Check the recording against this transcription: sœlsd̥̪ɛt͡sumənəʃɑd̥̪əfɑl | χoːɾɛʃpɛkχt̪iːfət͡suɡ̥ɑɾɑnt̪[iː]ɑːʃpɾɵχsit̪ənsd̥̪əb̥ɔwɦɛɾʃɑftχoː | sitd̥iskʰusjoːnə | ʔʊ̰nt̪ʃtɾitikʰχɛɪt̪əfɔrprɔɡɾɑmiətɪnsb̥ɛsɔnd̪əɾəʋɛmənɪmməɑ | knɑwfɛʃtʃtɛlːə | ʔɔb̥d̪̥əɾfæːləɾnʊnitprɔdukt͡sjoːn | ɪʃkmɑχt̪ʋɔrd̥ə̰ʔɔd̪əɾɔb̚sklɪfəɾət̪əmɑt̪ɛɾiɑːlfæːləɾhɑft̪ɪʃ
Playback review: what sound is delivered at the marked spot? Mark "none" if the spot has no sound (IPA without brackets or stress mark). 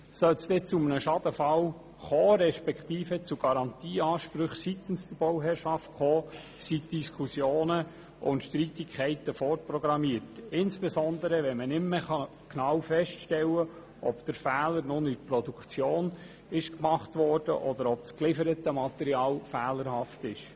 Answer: iː